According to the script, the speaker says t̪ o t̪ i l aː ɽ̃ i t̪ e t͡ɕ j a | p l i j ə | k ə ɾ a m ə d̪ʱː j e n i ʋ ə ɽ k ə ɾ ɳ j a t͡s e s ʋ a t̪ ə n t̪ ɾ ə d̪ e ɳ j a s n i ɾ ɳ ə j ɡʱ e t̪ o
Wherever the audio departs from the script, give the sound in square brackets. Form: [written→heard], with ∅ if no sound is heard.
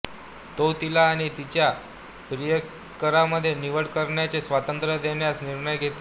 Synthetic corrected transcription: t̪ o t̪ i l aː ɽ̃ i t̪ [e→i] t͡ɕ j a | p [l→ɾ] i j ə | k ə ɾ a m ə d̪ʱː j e n i ʋ ə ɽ k ə ɾ ɳ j a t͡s e s ʋ a t̪ ə n t̪ ɾ ə d̪ e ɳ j a s n i ɾ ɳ ə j ɡʱ e t̪ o